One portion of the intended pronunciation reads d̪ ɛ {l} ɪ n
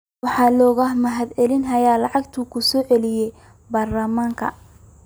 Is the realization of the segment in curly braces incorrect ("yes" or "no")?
no